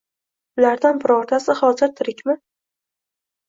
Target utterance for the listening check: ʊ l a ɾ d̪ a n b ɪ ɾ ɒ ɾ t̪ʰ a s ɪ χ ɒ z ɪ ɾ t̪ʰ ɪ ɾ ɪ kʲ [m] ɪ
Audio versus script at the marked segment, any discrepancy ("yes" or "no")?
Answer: no